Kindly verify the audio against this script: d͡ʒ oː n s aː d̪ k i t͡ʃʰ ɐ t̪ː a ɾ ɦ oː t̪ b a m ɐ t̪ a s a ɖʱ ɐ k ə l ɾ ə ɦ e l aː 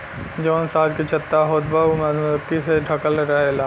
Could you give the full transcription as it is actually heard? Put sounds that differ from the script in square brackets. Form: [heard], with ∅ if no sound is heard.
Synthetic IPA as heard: d͡ʒ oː n s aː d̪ k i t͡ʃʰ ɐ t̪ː a [∅] ɦ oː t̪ b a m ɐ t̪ [i] s [e] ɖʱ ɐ k ə l ɾ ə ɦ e l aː